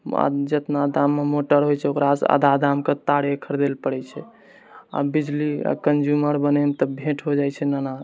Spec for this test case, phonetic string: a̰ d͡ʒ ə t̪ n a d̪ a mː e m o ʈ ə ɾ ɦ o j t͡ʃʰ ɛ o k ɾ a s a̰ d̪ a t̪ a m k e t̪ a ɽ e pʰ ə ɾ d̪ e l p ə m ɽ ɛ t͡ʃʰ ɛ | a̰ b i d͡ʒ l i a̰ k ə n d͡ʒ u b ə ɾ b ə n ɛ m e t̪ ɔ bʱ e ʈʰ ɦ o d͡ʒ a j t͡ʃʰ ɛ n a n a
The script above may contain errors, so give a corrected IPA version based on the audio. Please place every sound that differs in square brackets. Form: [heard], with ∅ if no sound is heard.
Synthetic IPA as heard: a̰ d͡ʒ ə t̪ n a d̪ a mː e m o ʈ ə ɾ ɦ o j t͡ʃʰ ɛ o k ɾ a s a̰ d̪ a [d̪] a m k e t̪ a ɽ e [kʰ] ə ɾ d̪ e l p ə [∅] ɽ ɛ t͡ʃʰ ɛ | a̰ b i d͡ʒ l i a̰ k ə n d͡ʒ u [m] ə ɾ b ə n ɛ m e t̪ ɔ bʱ e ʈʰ ɦ o d͡ʒ a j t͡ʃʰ ɛ n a n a